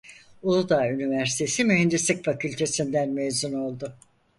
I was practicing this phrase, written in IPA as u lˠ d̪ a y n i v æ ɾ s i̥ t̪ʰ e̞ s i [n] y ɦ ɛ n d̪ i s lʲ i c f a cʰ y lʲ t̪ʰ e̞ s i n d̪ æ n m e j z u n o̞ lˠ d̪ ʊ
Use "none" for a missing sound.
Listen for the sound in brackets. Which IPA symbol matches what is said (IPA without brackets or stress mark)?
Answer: m